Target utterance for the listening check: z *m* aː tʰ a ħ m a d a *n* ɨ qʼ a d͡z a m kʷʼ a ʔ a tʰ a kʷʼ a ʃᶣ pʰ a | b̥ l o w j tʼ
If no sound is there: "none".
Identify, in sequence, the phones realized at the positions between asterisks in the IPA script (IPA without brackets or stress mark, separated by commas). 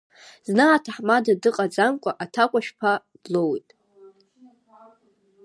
n, d